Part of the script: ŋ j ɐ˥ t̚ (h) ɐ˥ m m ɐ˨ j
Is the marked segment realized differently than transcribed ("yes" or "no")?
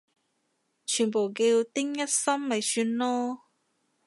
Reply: yes